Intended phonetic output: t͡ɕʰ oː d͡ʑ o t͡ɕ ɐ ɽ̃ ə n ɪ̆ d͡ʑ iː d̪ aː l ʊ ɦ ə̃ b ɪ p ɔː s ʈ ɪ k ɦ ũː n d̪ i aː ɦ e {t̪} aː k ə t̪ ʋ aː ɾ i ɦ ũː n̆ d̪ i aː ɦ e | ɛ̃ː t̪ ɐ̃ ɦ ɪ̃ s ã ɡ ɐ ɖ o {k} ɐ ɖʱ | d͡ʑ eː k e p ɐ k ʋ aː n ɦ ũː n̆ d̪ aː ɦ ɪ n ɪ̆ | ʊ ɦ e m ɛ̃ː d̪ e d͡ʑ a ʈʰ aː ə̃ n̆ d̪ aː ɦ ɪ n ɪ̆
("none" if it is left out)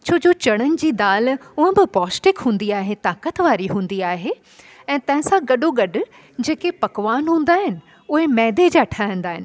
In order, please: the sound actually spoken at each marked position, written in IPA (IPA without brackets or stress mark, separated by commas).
t̪, ɡ